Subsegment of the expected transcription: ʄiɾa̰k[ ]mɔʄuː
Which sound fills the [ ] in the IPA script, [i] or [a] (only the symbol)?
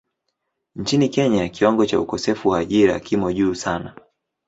i